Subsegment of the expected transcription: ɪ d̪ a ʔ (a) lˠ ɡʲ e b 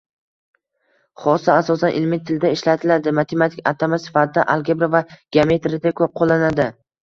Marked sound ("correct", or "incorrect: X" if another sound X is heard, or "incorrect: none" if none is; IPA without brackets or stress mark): correct